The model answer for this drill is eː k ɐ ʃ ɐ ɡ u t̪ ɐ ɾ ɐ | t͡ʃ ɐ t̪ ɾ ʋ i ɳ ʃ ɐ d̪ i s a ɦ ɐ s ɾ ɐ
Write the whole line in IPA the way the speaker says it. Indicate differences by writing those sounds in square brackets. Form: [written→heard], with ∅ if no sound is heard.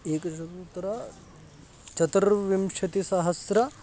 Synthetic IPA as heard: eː k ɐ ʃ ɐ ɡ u t̪ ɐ ɾ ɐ | t͡ʃ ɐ t̪ ɾ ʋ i [ɳ→m] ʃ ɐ [d̪→t̪] i s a ɦ ɐ s ɾ ɐ